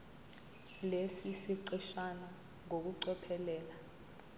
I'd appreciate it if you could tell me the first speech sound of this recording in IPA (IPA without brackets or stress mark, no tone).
l